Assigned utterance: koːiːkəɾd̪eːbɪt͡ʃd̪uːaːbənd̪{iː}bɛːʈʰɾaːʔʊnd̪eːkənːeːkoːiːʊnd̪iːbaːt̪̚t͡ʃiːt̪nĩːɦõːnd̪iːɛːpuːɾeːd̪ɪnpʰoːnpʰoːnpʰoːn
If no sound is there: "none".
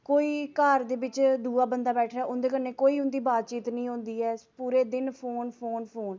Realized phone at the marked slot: aː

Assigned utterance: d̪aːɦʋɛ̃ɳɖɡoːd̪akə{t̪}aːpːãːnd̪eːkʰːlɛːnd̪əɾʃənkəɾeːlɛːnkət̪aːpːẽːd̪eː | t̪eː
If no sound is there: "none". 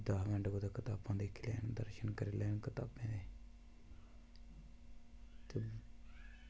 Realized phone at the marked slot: t̪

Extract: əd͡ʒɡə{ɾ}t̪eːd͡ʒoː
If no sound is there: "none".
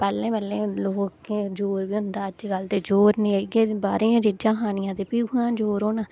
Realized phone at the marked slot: l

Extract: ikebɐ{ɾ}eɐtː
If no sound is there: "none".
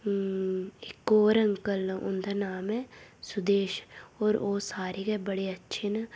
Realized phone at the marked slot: ɽ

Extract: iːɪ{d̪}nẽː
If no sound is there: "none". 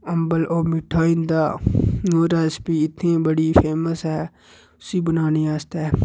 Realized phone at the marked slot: t̪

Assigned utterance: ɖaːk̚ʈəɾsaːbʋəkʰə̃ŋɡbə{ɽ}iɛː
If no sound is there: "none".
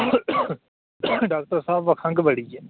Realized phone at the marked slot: ɽ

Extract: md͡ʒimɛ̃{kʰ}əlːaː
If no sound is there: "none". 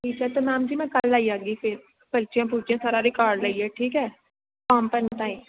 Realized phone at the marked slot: k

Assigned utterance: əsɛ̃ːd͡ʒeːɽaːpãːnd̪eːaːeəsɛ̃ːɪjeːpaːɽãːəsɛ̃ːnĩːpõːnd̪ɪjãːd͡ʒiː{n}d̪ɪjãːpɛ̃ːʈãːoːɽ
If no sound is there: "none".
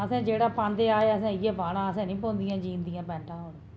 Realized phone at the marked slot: n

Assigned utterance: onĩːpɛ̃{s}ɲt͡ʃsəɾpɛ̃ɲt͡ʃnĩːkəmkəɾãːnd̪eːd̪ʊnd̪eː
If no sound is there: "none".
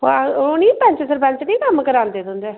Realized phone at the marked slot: none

